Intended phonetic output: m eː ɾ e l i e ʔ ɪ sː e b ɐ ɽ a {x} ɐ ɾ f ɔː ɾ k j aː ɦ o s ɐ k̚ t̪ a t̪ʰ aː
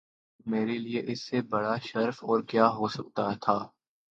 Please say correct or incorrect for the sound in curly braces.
incorrect